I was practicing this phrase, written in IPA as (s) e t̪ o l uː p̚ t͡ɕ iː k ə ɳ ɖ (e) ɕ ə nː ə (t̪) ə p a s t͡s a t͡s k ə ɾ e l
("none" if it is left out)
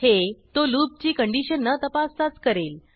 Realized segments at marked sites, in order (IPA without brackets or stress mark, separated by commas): h, i, t̪